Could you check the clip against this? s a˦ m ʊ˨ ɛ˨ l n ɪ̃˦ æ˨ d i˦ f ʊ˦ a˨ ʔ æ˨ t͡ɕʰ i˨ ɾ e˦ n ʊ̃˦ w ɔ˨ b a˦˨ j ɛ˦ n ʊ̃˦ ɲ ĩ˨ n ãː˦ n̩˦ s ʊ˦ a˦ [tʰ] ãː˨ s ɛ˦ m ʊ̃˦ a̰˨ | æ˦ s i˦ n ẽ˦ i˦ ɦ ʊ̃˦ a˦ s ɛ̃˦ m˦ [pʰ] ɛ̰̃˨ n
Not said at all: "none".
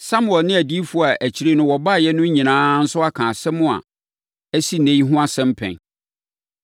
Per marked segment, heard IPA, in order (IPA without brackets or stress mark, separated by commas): kʰ, pʰ